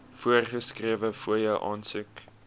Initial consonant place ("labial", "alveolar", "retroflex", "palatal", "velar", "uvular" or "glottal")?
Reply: labial